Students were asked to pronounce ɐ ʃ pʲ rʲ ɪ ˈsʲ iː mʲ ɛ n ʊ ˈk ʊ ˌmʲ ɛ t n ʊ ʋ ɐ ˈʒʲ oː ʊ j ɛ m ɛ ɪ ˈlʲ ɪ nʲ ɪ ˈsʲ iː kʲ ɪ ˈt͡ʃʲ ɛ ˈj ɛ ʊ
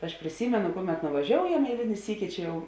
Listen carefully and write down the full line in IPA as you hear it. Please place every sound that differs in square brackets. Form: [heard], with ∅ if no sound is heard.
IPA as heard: ɐ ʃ pʲ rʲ ɪ ˈsʲ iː mʲ ɛ n ʊ ˈk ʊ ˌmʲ ɛ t n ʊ ʋ ɐ ˈʒʲ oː ʊ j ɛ m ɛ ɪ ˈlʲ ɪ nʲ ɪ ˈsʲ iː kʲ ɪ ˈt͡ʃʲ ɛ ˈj ɛ ʊ